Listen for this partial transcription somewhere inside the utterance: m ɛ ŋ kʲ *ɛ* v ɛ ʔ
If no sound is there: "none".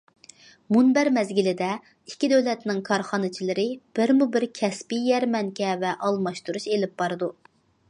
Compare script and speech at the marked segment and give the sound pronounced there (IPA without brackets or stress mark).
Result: ɛ